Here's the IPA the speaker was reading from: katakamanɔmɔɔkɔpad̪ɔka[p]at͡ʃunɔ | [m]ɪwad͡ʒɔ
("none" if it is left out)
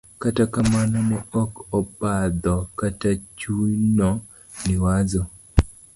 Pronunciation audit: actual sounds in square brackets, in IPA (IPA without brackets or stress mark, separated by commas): t, n